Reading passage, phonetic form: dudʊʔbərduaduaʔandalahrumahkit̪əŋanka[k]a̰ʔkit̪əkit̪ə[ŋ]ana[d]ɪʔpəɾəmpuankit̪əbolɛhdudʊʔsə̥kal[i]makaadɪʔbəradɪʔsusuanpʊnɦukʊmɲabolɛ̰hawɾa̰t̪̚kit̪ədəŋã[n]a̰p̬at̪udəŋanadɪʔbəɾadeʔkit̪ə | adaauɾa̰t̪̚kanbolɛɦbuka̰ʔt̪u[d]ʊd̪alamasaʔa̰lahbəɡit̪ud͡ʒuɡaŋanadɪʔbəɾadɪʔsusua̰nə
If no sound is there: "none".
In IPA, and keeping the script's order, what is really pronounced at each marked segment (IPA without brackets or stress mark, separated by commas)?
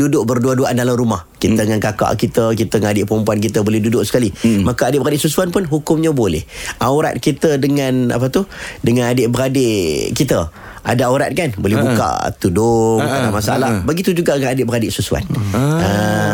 k, ŋ, d, i, n, d